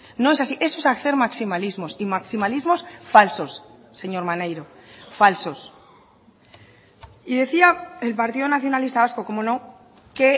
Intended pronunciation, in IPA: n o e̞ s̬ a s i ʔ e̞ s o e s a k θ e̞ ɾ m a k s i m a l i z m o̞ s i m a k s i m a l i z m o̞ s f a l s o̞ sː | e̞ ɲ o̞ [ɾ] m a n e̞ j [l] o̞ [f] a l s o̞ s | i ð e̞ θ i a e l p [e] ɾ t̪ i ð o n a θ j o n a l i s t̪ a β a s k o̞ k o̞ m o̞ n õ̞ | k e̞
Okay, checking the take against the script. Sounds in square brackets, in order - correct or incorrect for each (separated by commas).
correct, incorrect, correct, incorrect